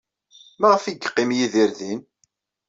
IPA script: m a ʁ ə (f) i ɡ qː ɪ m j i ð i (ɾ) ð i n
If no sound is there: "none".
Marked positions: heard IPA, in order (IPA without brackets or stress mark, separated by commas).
f, ɾ